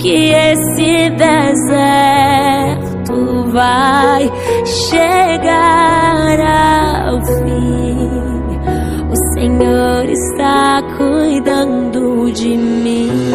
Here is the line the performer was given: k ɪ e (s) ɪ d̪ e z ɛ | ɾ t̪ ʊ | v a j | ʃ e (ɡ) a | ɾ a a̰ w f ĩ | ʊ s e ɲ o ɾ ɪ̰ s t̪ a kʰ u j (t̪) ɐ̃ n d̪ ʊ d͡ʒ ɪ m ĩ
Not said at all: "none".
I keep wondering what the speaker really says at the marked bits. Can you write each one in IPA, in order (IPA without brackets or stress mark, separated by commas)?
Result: s, ɡ, d̪